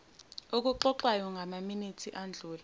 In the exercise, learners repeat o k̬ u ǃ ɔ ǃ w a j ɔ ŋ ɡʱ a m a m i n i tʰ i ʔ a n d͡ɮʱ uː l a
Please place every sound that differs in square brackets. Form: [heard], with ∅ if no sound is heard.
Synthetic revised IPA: o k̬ u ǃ ɔ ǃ w a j ɔ ŋ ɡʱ a m a m i n i tʰ i ʔ a n d͡ɮʱ uː l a